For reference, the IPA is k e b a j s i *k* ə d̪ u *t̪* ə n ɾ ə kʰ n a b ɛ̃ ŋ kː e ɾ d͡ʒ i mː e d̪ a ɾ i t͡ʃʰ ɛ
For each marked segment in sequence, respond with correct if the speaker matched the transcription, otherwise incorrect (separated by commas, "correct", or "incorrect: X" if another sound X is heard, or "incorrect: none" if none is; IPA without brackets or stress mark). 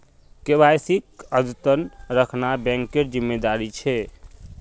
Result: correct, correct